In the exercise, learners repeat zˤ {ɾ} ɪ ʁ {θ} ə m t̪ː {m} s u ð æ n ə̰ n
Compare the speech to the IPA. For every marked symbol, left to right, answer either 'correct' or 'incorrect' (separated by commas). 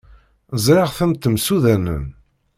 correct, correct, correct